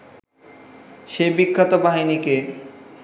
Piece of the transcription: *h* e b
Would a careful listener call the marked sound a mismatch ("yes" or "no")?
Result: yes